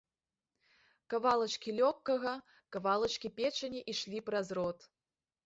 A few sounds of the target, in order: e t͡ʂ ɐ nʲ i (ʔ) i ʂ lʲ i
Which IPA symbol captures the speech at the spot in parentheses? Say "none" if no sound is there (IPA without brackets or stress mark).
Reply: ʔ